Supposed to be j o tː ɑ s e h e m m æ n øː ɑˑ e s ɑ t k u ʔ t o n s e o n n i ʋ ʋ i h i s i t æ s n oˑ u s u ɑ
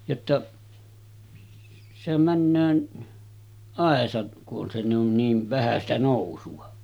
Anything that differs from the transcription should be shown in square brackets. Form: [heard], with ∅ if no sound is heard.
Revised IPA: j o tː ɑ s e h [æ] m m æ [nː] øː ɑˑ e s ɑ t k u ʔ [ʔ] o n s e o n n [iː] ʋ ʋ [æ] h [æ] s i t æ [∅] n oˑ u s u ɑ

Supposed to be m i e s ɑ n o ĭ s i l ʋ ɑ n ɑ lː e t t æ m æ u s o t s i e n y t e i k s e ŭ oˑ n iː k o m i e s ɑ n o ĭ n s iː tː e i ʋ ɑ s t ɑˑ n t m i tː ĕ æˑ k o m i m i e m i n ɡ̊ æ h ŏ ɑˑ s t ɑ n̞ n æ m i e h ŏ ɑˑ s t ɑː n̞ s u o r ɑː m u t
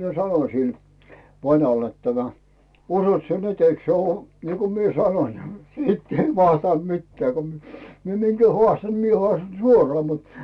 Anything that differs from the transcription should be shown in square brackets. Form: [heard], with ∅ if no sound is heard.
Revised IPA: m i e s ɑ n o ĭ s i l ʋ ɑ n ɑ lː e t t æ m æ u s o t s i e n y t e i k s e ŭ oˑ n iː k o m i e s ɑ n o ĭ n s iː tː e i ʋ ɑ s t ɑˑ n t m i tː ĕ æˑ k o m i m i e m i n ɡ̊ æ h ŏ ɑˑ s t ɑ n̞ n [i] m i e h ŏ ɑˑ s t [ɑ] n̞ s u o r ɑː m u t

